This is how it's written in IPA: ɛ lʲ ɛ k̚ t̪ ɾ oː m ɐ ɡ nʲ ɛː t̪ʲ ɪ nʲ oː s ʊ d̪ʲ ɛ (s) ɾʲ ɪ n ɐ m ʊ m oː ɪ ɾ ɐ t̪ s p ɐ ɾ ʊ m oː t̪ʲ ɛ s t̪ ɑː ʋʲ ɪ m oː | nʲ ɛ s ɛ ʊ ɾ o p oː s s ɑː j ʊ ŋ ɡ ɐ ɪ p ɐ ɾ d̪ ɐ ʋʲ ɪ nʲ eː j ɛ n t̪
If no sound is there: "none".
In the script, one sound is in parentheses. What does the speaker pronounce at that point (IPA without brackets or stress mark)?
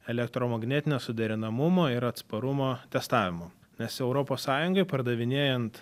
none